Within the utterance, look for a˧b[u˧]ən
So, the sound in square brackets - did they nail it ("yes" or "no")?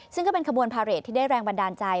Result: yes